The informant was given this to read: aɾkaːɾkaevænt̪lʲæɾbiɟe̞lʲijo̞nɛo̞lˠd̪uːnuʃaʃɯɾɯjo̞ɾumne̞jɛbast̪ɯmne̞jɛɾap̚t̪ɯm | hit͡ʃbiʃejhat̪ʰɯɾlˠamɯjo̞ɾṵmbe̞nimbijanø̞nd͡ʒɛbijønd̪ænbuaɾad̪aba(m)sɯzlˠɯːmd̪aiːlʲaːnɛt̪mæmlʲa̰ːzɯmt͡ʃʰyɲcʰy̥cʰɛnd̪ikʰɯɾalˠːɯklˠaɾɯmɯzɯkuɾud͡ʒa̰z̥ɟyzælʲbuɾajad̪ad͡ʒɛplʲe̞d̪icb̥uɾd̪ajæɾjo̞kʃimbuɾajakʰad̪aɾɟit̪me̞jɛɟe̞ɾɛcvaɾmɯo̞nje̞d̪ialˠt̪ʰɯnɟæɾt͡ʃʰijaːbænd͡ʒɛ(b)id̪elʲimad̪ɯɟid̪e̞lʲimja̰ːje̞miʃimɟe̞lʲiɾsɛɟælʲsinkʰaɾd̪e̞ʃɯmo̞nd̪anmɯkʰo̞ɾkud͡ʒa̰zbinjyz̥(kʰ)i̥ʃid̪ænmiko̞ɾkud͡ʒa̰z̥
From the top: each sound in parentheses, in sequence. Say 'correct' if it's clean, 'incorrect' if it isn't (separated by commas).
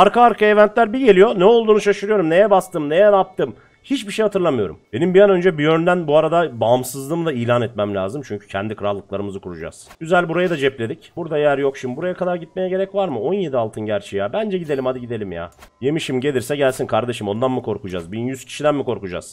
correct, incorrect, incorrect